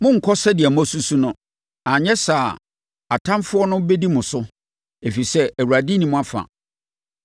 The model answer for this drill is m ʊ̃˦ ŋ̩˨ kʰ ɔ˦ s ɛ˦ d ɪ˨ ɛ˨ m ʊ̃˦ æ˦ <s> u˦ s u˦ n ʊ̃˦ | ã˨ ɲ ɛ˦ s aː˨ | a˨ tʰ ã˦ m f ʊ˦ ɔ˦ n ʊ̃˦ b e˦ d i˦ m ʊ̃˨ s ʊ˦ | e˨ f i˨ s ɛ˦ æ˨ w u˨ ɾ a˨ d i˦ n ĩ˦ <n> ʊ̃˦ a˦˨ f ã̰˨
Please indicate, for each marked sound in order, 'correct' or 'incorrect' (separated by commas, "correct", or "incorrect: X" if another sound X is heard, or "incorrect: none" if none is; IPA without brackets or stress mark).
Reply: correct, incorrect: m